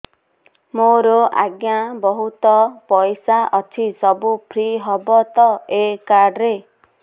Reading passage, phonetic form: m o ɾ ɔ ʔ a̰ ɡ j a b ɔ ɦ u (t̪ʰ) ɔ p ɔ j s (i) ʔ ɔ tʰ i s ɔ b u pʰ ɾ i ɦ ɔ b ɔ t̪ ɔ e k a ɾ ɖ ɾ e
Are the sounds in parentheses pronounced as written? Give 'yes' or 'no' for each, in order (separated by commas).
no, no